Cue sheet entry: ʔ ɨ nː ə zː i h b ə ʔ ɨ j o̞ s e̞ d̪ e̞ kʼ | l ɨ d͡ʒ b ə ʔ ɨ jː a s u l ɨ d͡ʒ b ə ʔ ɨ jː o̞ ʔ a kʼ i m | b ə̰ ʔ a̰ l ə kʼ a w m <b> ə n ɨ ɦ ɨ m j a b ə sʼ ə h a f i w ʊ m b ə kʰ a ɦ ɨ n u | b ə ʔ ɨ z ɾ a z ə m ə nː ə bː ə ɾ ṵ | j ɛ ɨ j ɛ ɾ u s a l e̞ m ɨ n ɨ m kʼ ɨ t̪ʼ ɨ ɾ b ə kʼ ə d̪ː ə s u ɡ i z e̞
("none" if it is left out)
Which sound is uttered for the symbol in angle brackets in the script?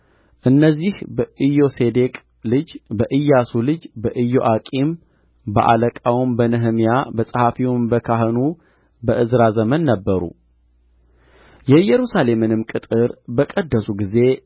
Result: b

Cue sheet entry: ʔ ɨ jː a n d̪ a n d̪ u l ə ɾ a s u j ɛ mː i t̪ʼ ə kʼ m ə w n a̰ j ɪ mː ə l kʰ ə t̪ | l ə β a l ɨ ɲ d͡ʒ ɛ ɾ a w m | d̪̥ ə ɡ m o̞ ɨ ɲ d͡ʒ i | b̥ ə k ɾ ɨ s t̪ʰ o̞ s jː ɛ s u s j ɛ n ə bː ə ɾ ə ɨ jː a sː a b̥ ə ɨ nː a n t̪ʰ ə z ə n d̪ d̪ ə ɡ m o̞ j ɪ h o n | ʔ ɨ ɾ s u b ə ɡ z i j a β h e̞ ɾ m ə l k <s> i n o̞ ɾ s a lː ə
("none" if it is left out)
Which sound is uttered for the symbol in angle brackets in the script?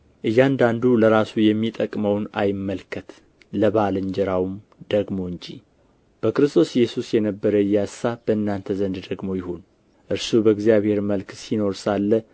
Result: s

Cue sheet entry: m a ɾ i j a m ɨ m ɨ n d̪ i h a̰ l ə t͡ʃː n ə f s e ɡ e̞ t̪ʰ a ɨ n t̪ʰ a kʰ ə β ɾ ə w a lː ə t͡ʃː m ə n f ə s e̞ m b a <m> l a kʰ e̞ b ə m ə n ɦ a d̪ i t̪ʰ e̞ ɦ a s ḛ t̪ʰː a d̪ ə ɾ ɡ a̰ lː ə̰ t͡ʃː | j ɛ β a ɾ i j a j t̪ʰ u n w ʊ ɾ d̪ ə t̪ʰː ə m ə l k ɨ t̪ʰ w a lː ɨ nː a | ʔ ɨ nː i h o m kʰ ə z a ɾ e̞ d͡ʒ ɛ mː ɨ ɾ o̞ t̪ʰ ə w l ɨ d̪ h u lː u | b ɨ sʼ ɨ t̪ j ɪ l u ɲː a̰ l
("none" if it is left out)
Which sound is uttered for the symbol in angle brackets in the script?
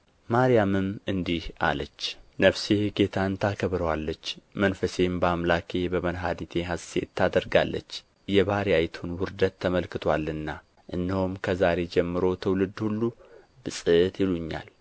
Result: m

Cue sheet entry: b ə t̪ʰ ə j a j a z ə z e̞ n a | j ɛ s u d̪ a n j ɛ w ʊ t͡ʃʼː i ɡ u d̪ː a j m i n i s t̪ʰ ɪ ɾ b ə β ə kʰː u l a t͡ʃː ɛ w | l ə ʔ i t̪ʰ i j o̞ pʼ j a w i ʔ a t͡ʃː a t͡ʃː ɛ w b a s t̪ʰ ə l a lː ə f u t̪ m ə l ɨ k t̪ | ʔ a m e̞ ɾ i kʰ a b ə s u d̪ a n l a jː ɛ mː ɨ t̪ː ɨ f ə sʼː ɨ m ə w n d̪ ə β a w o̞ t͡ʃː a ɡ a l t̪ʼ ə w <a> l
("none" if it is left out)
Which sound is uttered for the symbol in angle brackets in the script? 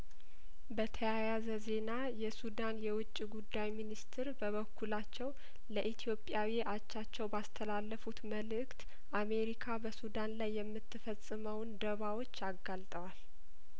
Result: a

